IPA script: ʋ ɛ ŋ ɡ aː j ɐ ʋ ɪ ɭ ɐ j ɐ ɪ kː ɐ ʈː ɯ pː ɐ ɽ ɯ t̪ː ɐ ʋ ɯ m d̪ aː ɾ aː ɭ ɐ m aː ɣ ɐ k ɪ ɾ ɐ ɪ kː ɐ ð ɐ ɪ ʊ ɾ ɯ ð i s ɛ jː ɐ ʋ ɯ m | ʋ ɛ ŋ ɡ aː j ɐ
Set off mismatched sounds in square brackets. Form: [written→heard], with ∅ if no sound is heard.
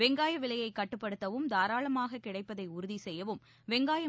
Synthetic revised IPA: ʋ ɛ ŋ ɡ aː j ɐ ʋ ɪ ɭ ɐ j ɐ ɪ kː ɐ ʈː ɯ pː ɐ ɽ ɯ t̪ː ɐ ʋ ɯ m d̪ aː ɾ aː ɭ ɐ m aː ɣ ɐ k ɪ [ɾ→ɽ] ɐ ɪ [kː→pː] ɐ ð ɐ ɪ ʊ ɾ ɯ ð i s ɛ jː ɐ ʋ ɯ m | ʋ ɛ ŋ ɡ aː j ɐ